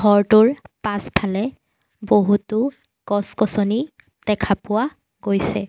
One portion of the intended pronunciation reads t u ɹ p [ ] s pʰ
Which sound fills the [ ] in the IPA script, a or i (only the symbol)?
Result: a